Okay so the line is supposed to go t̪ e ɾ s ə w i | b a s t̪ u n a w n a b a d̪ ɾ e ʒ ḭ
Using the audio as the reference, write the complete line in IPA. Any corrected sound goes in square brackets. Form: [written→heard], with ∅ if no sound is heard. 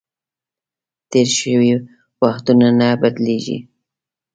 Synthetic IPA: t̪ e ɾ [s→ʃ] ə w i | [b→w] a [s→x] t̪ u n a [w→∅] n a b a d̪ [ɾ→l] e ʒ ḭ